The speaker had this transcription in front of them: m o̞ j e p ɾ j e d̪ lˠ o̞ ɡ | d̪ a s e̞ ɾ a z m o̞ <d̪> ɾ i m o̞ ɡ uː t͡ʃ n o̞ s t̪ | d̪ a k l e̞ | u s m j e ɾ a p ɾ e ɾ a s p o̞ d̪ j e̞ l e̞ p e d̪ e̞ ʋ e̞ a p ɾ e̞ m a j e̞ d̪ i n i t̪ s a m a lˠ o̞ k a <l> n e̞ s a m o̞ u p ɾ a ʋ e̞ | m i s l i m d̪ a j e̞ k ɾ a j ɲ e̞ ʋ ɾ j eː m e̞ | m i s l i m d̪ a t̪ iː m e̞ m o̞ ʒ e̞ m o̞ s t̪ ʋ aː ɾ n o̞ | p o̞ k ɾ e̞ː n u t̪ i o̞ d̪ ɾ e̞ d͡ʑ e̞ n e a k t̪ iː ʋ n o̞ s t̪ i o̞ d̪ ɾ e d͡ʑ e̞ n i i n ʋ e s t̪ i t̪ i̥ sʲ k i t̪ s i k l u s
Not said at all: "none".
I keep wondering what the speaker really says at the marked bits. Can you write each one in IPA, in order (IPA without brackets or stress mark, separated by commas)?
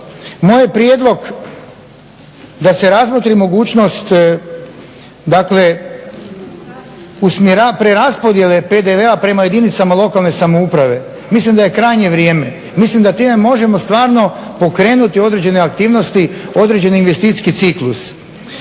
t̪, l